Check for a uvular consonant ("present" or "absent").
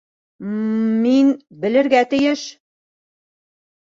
absent